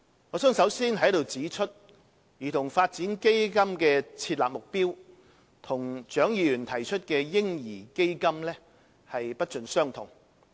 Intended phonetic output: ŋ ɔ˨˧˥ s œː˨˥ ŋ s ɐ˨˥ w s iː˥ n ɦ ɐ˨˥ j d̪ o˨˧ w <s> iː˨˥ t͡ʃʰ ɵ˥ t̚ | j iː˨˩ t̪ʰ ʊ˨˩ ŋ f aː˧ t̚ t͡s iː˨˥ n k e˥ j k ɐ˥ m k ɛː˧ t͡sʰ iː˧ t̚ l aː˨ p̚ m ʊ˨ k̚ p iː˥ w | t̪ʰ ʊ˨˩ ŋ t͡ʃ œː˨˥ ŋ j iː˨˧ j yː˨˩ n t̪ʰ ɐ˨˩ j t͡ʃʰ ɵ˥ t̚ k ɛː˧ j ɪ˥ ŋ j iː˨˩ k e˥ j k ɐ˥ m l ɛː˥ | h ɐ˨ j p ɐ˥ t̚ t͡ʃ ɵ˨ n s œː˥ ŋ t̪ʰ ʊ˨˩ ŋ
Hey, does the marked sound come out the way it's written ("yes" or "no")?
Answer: no